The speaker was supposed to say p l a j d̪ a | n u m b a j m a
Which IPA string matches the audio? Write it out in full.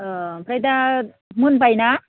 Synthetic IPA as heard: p ɾ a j d̪ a | m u n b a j n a